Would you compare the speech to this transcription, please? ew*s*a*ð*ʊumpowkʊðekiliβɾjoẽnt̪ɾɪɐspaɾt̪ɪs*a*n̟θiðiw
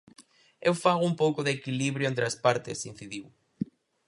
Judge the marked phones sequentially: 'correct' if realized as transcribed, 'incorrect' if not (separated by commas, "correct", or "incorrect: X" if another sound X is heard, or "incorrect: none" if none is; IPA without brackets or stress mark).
incorrect: f, incorrect: ɣ, incorrect: i